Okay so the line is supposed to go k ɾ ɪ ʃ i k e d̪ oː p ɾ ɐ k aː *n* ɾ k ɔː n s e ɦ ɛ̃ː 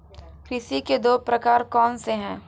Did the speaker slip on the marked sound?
yes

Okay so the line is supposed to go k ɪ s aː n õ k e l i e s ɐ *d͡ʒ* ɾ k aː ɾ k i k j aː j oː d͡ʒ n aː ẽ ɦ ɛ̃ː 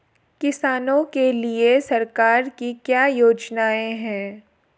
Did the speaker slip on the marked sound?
yes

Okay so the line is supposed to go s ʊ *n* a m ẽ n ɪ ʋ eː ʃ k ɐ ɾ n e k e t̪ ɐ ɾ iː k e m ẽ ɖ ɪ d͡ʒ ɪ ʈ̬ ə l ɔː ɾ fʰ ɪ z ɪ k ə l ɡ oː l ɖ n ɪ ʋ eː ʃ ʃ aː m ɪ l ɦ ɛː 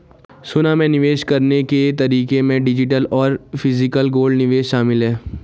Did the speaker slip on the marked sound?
no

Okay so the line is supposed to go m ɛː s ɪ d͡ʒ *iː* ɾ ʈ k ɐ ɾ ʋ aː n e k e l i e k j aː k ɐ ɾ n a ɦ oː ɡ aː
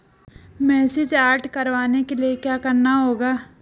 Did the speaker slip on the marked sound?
yes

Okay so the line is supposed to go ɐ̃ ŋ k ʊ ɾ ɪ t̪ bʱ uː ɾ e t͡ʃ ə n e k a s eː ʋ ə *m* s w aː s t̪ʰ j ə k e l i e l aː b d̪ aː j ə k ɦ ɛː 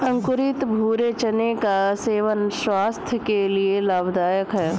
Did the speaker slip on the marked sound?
yes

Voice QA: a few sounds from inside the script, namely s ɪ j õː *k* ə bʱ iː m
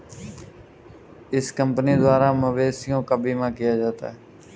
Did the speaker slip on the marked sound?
no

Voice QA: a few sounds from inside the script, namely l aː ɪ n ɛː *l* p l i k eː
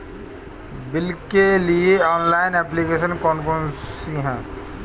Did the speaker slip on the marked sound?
yes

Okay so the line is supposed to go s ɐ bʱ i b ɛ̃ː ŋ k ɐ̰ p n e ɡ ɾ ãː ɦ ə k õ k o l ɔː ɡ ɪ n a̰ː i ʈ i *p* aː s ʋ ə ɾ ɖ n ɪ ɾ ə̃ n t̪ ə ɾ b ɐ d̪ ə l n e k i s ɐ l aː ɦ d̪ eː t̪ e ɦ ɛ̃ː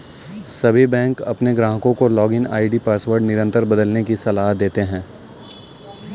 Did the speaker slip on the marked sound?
no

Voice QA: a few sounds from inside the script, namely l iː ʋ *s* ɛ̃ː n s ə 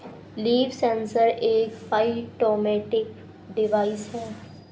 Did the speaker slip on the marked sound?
no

